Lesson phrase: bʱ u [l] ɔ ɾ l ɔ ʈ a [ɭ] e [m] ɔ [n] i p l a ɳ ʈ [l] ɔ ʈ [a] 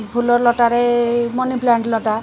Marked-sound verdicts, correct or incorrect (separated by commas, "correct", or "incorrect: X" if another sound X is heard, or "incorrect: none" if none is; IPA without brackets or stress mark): correct, incorrect: ɾ, correct, correct, correct, correct